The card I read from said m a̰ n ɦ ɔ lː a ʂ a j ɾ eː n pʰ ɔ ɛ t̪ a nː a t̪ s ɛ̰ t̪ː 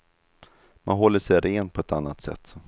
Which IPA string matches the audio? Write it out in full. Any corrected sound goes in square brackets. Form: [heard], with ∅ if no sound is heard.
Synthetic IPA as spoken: m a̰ n ɦ ɔ lː [ə] ʂ [ɛ] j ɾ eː n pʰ ɔ ɛ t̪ a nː a t̪ s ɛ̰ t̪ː